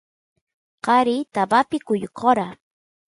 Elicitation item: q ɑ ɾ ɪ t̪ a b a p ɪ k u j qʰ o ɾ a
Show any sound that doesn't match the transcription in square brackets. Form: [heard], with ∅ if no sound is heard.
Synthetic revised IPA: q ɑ ɾ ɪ t̪ a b a p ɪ k [ʊ] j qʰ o ɾ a